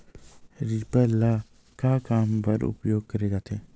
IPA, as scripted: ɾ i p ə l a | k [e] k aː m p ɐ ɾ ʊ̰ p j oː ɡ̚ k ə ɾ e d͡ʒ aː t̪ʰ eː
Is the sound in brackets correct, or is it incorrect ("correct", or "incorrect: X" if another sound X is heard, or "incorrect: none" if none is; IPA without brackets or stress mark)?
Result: incorrect: a